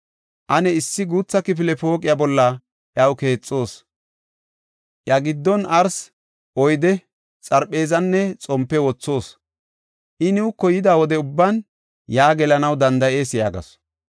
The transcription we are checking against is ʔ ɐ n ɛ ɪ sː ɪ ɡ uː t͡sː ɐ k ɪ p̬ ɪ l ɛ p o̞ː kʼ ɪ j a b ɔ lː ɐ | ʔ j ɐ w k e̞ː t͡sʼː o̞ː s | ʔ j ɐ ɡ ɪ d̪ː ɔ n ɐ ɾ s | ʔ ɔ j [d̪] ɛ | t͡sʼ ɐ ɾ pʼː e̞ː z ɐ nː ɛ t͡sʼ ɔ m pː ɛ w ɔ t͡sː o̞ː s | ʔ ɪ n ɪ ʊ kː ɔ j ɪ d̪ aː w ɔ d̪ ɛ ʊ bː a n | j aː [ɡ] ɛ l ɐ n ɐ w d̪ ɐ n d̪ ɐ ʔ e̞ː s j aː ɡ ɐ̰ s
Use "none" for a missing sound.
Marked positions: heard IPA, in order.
d̪, ɡ

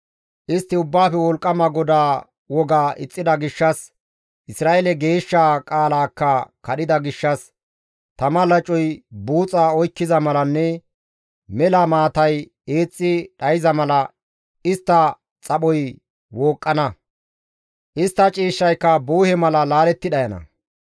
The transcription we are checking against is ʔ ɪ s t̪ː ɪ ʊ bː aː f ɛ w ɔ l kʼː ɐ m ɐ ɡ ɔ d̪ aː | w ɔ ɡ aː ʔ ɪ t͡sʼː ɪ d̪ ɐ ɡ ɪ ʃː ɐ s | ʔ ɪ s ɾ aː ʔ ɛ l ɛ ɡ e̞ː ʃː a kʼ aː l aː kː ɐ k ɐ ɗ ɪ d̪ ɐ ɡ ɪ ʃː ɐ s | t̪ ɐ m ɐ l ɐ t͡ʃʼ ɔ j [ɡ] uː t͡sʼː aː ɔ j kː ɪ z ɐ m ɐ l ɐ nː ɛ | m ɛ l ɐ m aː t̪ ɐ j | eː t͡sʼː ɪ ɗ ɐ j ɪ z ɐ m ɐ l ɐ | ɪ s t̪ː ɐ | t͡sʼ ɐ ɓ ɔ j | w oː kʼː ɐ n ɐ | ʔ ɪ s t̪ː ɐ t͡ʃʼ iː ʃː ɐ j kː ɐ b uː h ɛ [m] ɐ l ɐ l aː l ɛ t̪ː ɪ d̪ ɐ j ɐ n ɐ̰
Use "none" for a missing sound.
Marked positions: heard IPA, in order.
b, m

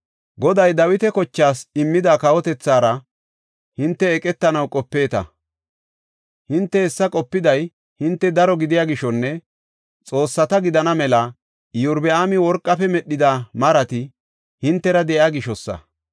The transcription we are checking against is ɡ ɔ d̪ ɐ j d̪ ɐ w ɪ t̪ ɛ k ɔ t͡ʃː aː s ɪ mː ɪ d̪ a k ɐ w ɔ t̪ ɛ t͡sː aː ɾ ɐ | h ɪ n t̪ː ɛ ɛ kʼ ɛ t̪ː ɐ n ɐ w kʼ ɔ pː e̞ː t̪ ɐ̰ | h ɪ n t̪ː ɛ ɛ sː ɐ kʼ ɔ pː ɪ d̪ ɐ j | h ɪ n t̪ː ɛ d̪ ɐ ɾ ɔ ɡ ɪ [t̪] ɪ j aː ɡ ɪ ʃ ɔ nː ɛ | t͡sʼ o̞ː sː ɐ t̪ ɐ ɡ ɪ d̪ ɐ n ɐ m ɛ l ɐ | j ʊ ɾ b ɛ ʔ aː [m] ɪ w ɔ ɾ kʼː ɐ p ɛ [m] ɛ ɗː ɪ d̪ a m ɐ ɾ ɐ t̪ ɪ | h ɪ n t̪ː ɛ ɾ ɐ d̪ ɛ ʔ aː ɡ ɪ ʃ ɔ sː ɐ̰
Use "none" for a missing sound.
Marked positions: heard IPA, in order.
d̪, m, m

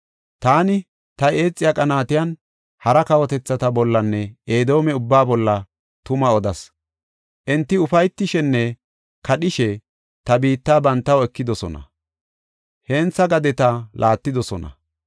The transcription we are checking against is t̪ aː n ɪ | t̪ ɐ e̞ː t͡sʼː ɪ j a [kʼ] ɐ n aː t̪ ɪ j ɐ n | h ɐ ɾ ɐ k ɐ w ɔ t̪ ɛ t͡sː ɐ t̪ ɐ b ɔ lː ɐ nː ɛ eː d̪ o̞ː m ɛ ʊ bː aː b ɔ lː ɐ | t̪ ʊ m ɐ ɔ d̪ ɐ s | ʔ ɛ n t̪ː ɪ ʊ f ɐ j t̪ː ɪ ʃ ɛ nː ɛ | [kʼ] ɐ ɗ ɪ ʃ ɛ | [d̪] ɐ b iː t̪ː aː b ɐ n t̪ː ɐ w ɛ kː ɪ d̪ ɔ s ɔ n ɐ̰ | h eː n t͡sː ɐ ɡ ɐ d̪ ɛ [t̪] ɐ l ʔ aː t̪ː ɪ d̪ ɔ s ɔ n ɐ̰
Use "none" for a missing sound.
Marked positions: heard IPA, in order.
kʼ, k, t̪, t̪

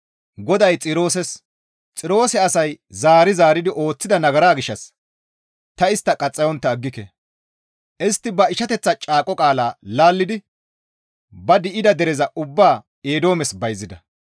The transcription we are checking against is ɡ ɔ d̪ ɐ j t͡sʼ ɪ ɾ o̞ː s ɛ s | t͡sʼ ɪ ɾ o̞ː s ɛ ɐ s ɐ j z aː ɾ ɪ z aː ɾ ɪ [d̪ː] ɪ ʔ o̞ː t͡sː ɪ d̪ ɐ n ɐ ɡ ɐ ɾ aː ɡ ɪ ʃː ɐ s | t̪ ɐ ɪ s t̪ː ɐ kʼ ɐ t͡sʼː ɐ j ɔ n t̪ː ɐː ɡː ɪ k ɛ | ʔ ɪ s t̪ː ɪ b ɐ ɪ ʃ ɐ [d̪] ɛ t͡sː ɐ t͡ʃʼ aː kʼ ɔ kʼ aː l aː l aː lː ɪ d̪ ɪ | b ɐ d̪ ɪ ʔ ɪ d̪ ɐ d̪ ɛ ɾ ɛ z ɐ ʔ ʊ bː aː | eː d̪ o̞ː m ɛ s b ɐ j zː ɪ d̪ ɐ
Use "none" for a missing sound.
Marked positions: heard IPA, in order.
d̪, t̪

